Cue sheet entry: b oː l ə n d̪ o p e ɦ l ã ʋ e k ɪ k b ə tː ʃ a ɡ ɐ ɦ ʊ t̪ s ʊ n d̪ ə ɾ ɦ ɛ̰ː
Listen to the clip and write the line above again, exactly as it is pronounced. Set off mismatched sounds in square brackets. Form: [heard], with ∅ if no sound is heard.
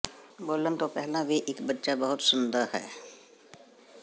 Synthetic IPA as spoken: b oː l ə n [t̪] o p [ɛ] ɦ l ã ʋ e [ʔ] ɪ k b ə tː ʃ a [b] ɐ ɦ ʊ t̪ s ʊ n d̪ ə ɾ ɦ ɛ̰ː